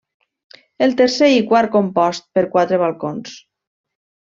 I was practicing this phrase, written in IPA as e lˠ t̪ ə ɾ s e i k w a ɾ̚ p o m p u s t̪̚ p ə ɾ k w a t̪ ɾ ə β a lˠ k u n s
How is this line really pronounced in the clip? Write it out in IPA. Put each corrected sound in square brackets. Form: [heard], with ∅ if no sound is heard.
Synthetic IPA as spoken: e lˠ t̪ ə ɾ s e i k w a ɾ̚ [k] o m p [ɔ] s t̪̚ p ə ɾ k w a t̪ ɾ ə β a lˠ k [o] n s